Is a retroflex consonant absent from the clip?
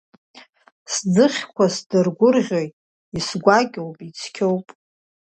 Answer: yes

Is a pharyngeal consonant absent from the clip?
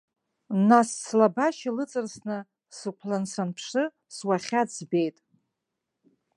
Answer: yes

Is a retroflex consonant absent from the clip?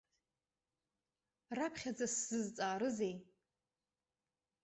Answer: yes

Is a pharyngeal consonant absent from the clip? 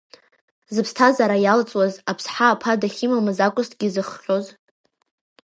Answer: no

